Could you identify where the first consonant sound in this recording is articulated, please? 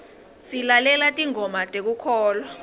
alveolar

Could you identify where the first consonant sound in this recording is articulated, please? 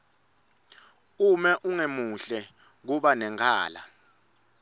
labial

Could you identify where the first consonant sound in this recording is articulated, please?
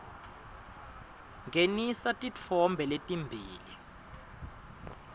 velar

